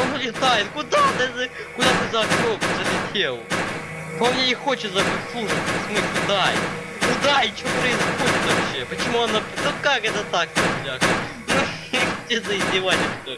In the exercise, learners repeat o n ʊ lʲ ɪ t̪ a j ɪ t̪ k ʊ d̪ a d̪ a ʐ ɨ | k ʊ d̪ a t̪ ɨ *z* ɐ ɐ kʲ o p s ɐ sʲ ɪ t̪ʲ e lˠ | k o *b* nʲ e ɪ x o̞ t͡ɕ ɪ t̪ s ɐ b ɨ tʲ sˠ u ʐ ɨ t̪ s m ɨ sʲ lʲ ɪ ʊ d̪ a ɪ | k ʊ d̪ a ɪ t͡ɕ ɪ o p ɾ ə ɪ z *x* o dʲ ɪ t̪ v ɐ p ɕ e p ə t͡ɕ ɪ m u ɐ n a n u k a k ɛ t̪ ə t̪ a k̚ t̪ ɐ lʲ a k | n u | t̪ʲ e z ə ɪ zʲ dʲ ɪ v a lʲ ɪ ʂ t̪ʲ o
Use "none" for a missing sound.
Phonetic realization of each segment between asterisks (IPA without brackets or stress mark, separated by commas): z, m, x